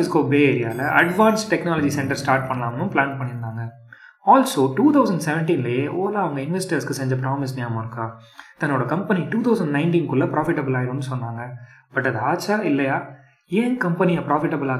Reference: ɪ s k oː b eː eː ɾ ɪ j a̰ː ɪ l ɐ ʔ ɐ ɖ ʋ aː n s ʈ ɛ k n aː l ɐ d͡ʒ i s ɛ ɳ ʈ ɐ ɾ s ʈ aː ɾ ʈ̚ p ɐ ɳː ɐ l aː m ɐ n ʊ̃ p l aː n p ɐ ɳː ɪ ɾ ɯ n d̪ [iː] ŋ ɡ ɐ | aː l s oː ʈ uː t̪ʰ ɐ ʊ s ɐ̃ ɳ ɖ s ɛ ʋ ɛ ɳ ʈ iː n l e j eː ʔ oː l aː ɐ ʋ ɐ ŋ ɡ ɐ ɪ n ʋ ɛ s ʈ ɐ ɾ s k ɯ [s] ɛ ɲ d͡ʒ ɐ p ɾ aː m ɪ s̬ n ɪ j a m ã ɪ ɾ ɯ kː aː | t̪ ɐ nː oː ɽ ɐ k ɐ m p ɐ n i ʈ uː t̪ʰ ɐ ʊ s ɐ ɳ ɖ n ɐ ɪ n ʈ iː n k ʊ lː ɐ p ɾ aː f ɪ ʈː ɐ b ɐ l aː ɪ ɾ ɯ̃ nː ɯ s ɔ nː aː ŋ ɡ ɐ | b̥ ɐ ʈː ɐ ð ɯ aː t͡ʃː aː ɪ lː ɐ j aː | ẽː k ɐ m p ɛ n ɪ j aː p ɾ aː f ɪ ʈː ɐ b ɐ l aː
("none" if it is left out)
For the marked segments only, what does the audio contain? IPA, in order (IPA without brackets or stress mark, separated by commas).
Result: aː, s